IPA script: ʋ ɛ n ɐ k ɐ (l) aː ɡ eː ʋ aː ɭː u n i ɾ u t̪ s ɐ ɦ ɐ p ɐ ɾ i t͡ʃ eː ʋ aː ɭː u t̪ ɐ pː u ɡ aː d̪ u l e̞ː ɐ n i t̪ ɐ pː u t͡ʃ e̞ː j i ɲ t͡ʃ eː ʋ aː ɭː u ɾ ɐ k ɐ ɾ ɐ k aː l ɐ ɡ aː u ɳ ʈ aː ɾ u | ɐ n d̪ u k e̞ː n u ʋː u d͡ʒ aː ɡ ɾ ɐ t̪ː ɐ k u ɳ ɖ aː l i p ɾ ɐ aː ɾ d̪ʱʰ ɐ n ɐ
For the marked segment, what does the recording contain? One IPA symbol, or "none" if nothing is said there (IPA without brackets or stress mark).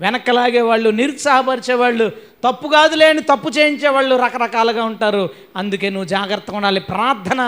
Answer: l